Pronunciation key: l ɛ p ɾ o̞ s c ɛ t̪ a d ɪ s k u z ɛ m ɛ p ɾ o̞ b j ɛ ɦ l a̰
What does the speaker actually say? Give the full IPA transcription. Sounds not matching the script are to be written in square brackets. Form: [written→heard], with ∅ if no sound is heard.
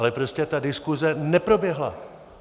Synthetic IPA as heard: l ɛ p ɾ o̞ s c ɛ t̪ a d ɪ s k u z ɛ [m→n] ɛ p ɾ o̞ b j ɛ ɦ l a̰

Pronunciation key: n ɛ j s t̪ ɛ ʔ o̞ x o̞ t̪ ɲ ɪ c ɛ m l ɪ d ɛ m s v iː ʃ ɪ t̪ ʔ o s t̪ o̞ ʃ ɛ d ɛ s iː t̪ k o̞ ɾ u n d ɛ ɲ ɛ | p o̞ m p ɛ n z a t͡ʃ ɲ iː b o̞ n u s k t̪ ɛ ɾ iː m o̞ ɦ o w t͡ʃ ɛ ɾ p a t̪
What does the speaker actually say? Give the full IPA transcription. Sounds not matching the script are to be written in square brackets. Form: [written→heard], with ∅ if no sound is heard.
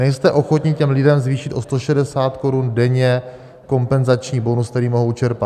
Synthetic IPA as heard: n ɛ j s t̪ ɛ ʔ o̞ x o̞ t̪ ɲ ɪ c ɛ m l ɪ d ɛ m [s→z] v iː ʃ ɪ t̪ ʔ o s t̪ o̞ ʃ ɛ d ɛ s [iː→aː] t̪ k o̞ ɾ u n d ɛ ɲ ɛ | [p→k] o̞ m p ɛ n z a t͡ʃ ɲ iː b o̞ n u s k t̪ ɛ ɾ iː m o̞ ɦ o w t͡ʃ ɛ ɾ p a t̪

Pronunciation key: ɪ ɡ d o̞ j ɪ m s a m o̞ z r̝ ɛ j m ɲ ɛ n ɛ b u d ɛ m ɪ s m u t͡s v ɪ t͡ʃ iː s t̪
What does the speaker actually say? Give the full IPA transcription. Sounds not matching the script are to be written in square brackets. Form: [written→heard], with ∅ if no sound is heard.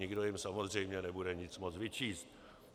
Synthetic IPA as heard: ɪ ɡ d o̞ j ɪ m s a m o̞ z r̝ ɛ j m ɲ ɛ n ɛ b u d ɛ [m→ɲ] ɪ [s→t͡s] m [u→o] t͡s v ɪ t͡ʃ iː s t̪

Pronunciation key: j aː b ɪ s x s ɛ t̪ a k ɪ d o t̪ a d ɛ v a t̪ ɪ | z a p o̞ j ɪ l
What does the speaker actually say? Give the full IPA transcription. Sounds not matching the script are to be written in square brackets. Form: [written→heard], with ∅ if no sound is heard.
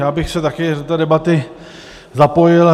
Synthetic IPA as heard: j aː b ɪ [s→∅] x s ɛ t̪ a k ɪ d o t̪ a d ɛ [v→b] a t̪ ɪ | z a p o̞ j ɪ l

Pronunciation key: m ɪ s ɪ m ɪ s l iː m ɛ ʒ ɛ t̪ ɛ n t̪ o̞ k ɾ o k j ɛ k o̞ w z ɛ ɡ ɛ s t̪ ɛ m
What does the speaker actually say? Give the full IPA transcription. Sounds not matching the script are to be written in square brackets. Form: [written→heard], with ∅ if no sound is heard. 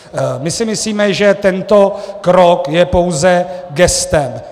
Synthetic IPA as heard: m ɪ s ɪ m ɪ s l iː m ɛ ʒ ɛ t̪ ɛ n t̪ o̞ k ɾ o k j ɛ [k→p] o̞ w z ɛ ɡ ɛ s t̪ ɛ m

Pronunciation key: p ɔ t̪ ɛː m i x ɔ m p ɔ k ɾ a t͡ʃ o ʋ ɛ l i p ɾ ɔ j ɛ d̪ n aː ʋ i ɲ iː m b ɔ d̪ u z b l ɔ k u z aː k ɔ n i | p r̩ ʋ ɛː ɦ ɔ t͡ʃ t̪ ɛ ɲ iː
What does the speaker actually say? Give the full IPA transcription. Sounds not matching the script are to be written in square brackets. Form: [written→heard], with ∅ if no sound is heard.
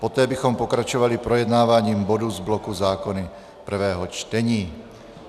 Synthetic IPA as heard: p ɔ t̪ ɛː [m→b] i x ɔ m p ɔ k ɾ a t͡ʃ [o→ɔ] ʋ [ɛ→a] l i p ɾ ɔ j ɛ d̪ n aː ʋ [i→a] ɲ iː m b ɔ d̪ u z b l ɔ k u z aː k ɔ n i | p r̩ ʋ ɛː ɦ ɔ t͡ʃ t̪ ɛ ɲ iː

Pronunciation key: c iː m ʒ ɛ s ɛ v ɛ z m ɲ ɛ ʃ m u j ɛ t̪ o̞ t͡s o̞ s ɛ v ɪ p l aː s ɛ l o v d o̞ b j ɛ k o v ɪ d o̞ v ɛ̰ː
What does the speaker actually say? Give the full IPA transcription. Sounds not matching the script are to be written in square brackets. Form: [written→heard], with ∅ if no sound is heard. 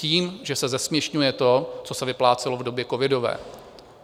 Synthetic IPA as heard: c iː m ʒ ɛ s ɛ [v→z] ɛ [z→s] m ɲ ɛ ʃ [m→ɲ] u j ɛ t̪ o̞ t͡s o̞ s ɛ v ɪ p l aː [s→t͡s] ɛ l o v d o̞ b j ɛ k o v ɪ d o̞ v ɛ̰ː

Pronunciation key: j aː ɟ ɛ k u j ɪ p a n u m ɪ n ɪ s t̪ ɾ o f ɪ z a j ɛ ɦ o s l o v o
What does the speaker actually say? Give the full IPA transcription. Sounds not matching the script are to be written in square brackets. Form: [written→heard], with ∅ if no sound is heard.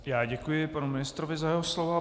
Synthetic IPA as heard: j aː ɟ ɛ k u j ɪ p a n u m ɪ n ɪ s t̪ ɾ o [f→v] ɪ z a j ɛ ɦ o s l o v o

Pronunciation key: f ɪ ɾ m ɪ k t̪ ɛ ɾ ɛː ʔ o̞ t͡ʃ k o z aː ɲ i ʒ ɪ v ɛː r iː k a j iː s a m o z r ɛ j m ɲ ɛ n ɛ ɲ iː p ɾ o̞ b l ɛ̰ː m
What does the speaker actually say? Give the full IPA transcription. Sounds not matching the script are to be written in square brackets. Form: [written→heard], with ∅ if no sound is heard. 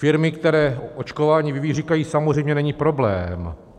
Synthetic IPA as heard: f ɪ ɾ m ɪ k t̪ ɛ ɾ ɛː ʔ o̞ t͡ʃ k o [z→v] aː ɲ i [ʒ→v] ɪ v [ɛː→iː] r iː k a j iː s a m o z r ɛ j m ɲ ɛ n ɛ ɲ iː p ɾ o̞ b l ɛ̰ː m

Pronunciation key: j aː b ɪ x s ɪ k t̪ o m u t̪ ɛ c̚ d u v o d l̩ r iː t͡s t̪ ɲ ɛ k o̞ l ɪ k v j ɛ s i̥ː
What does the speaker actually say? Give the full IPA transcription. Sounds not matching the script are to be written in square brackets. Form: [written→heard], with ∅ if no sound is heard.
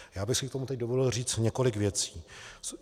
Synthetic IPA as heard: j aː b ɪ x s ɪ k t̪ o m u t̪ ɛ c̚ d [u→o] v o d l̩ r iː t͡s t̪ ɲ ɛ k o̞ l ɪ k v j ɛ [s→t͡s] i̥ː

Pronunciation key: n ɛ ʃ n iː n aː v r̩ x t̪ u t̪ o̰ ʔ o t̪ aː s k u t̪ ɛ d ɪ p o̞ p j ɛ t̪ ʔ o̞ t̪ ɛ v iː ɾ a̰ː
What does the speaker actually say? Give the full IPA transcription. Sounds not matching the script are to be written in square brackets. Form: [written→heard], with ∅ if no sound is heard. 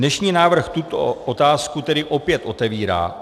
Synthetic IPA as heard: n ɛ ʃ [n→ɲ] iː n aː v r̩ x t̪ u t̪ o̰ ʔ o t̪ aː s k u t̪ ɛ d ɪ [p→ʔ] o̞ p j ɛ t̪ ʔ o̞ t̪ ɛ v iː ɾ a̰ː

